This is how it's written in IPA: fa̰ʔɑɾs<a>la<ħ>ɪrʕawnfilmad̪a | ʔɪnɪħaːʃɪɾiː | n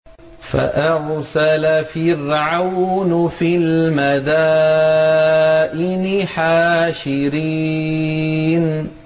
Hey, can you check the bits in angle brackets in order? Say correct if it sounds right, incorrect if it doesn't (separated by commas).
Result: correct, incorrect